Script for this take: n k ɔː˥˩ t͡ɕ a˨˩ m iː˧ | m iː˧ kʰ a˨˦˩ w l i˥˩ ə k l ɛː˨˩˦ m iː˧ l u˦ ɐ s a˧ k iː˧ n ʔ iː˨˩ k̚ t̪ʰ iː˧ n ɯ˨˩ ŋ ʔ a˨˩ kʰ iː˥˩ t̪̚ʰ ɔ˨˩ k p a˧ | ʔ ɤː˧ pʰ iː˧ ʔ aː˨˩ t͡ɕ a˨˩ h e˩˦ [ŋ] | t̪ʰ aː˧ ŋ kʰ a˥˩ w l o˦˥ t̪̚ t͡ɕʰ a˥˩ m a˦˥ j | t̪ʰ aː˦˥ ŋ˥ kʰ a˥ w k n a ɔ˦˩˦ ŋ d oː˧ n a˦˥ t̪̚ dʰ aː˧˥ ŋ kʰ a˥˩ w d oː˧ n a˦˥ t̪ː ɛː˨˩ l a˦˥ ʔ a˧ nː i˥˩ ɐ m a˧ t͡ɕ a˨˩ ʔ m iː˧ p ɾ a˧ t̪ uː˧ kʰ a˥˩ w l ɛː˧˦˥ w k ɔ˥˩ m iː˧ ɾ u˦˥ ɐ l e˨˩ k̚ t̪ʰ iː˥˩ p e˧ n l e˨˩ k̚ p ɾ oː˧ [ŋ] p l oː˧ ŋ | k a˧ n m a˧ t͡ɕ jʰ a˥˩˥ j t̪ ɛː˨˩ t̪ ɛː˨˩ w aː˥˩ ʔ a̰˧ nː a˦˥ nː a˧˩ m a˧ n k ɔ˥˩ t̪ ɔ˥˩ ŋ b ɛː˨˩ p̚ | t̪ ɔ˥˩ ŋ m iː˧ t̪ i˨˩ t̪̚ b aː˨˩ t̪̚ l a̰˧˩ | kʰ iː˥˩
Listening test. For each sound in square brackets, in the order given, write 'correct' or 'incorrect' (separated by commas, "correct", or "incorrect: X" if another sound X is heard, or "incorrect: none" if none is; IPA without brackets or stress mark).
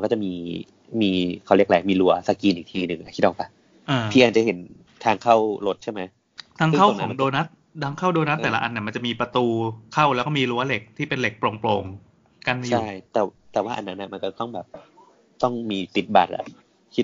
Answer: incorrect: n, correct